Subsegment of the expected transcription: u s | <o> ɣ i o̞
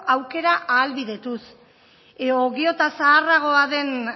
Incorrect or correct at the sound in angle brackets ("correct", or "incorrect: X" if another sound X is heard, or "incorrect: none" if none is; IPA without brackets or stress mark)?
correct